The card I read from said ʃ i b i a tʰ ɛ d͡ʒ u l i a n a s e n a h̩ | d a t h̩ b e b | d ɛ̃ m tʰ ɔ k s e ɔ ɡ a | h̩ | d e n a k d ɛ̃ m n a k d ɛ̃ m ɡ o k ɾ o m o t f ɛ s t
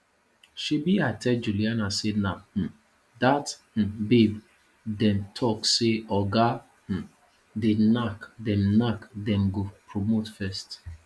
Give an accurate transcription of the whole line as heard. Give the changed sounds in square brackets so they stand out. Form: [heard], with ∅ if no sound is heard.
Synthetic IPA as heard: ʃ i b i a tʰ ɛ d͡ʒ u l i a n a s e n a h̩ | d a t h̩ b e b | d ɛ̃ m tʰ ɔ k s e ɔ ɡ a | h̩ | d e n a k d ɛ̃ m n a k d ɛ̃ m ɡ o [p] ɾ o m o t f ɛ s t